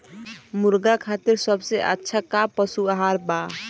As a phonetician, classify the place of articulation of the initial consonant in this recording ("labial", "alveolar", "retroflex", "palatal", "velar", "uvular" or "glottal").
labial